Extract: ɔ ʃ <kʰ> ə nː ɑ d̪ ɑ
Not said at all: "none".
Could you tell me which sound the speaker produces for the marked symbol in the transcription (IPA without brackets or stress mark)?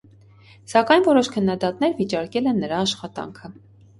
kʰ